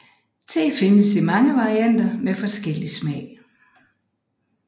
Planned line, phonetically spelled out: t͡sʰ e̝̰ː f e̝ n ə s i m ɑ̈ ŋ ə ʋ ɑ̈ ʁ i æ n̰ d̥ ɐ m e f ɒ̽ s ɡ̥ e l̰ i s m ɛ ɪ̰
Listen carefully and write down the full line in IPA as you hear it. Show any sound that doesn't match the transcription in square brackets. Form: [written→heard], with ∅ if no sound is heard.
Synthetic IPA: t͡sʰ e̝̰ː f e̝ n ə s i m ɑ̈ ŋ ə ʋ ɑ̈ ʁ i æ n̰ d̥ ɐ m e f ɒ̽ s ɡ̥ e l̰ i s m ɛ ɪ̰